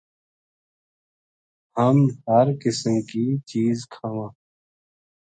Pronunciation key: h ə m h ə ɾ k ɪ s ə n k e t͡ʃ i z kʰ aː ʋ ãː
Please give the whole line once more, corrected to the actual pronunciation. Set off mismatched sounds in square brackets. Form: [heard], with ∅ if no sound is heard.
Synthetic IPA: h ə m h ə ɾ k ɪ s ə [m] k [i] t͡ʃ [iː] z kʰ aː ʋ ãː